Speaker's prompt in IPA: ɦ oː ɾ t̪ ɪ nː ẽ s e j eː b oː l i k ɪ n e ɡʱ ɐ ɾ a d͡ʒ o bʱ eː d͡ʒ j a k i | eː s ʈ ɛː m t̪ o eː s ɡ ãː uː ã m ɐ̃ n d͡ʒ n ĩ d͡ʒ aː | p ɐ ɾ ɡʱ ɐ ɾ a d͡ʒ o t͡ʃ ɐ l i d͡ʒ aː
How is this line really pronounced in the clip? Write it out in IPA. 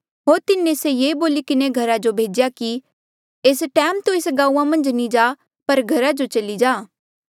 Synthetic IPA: ɦ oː ɾ t̪ ɪ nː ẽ s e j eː b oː l i k ɪ n e ɡʱ ɐ ɾ a d͡ʒ o bʱ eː d͡ʒ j a k i | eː s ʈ ɛː m t̪ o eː s ɡ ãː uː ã m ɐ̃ n d͡ʒ n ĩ d͡ʒ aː | p ɐ ɾ ɡʱ ɐ ɾ a d͡ʒ o t͡ʃ ɐ l i d͡ʒ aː